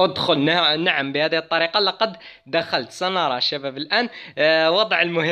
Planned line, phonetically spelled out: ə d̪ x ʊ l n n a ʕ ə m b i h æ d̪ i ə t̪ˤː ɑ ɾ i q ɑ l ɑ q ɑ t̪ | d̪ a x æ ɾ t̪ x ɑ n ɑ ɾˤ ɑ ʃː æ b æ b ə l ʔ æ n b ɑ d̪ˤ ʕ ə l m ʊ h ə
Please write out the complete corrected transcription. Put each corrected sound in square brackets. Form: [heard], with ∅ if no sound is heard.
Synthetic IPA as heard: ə d̪ x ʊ l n n a ʕ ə m b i h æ d̪ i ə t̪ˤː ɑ ɾ i q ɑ l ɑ q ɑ [d̪] | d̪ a x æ [l] t̪ [s] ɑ n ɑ ɾˤ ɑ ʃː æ b æ b ə l ʔ æ n [w] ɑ d̪ˤ ʕ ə l m ʊ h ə